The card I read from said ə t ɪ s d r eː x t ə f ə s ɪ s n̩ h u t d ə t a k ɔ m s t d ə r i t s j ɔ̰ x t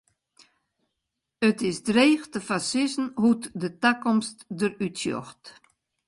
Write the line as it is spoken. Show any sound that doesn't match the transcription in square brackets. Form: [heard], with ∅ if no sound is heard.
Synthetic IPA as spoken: ə t ɪ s d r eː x t ə f [a] s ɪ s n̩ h u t d ə t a k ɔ m s t d ə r [y] t s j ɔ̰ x t